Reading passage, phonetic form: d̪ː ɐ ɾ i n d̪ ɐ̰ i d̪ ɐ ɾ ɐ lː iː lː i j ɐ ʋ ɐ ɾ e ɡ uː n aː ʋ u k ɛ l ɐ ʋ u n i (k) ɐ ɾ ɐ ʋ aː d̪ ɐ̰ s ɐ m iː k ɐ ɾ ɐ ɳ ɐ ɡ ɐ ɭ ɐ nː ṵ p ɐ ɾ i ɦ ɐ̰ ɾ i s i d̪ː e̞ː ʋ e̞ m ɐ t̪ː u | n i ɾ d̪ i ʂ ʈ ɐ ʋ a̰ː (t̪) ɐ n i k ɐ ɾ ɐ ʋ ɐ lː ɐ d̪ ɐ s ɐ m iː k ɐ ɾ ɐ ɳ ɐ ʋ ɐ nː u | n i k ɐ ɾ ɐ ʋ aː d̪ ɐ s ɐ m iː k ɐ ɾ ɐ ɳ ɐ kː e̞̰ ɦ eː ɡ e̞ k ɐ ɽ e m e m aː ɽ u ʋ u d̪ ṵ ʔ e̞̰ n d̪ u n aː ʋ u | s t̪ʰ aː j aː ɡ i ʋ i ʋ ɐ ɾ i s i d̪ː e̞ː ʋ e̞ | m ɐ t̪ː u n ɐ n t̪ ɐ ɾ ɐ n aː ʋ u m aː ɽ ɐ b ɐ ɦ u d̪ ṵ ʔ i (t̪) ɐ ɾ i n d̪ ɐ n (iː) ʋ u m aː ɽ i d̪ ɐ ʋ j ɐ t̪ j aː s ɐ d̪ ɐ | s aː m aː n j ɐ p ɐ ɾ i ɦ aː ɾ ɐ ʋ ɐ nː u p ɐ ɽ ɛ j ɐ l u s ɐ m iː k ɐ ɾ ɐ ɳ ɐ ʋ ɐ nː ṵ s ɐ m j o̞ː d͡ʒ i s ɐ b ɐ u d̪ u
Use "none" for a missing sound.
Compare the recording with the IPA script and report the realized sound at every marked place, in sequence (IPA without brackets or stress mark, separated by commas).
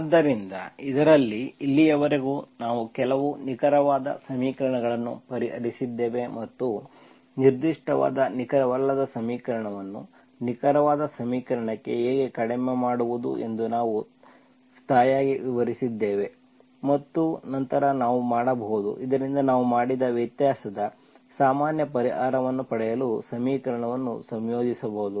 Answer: k, d̪, d̪, aː